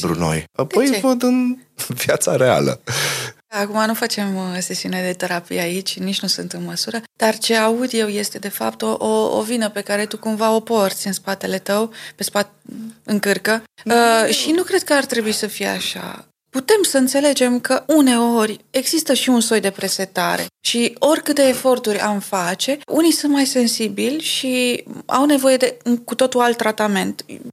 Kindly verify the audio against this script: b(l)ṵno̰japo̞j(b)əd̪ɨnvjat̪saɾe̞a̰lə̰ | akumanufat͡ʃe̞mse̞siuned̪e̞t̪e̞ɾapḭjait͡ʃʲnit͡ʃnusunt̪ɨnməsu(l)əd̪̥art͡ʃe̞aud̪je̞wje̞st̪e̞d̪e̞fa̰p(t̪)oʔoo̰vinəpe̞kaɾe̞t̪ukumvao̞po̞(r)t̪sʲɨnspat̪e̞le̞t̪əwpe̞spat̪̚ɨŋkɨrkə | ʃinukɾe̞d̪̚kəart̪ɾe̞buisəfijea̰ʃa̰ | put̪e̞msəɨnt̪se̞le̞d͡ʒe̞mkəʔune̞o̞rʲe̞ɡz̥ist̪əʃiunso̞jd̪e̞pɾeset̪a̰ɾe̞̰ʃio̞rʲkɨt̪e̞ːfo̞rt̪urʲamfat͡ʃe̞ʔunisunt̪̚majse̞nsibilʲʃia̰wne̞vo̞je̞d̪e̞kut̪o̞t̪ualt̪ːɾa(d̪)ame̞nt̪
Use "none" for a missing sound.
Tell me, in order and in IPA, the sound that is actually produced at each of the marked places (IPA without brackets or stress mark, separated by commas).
ɾ, v, ɾ, t̪, r, t̪